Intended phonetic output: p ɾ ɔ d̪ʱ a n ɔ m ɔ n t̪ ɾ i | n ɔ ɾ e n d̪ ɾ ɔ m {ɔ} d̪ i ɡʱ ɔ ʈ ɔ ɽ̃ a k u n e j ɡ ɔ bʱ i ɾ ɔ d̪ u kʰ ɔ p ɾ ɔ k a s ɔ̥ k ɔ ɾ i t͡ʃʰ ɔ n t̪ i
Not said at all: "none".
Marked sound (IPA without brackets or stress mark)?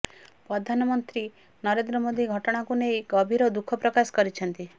o